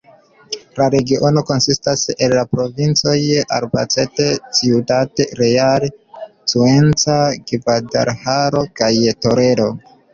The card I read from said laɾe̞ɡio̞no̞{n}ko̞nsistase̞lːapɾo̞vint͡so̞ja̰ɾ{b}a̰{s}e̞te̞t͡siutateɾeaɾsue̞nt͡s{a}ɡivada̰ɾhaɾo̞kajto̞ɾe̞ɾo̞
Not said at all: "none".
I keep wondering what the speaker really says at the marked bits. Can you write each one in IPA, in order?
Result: none, b, t͡s, a

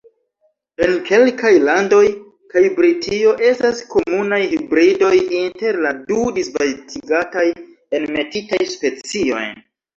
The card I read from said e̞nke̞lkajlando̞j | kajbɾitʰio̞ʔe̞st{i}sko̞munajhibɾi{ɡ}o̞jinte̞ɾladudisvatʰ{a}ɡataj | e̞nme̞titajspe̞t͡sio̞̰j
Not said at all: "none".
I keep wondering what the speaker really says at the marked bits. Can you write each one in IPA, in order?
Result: a, d, i

